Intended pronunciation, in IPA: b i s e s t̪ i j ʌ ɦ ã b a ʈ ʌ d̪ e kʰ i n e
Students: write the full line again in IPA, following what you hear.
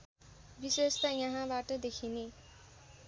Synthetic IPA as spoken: b i s e s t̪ a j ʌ ɦ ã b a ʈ ʌ d̪ e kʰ i n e